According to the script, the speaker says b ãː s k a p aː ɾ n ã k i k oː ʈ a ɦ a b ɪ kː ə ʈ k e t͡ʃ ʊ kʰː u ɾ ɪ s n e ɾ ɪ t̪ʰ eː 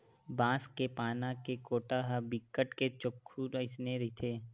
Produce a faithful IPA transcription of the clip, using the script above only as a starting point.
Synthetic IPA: b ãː s k e p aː n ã k e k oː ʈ a ɦ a b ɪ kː ə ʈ k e t͡ʃ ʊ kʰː u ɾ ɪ s n e ɾ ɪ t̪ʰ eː